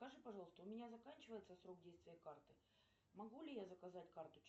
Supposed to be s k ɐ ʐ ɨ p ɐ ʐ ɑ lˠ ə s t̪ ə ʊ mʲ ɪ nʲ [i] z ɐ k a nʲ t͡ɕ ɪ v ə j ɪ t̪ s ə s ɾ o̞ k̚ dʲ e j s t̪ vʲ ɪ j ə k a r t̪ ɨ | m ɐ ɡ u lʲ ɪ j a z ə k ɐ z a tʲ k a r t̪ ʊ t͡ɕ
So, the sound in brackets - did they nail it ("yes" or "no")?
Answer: no